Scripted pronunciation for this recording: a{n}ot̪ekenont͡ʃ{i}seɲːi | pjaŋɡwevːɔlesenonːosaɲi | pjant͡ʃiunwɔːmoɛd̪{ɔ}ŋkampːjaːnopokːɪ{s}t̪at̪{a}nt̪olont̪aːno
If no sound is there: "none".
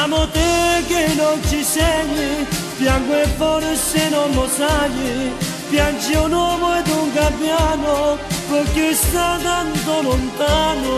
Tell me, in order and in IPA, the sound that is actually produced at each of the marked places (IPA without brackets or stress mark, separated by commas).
m, i, u, s, a